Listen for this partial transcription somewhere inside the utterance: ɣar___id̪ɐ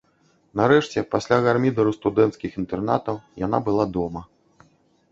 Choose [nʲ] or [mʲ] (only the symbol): mʲ